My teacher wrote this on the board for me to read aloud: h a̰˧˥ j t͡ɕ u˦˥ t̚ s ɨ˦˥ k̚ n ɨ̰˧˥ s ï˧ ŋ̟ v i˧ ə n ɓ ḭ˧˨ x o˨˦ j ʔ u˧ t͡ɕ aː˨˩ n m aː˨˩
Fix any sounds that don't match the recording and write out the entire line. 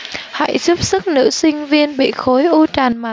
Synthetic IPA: h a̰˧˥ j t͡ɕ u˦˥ p̚ s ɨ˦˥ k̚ n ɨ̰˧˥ s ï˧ ŋ̟ v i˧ ə n ɓ ḭ˧˨ x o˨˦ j ʔ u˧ t͡ɕ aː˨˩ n m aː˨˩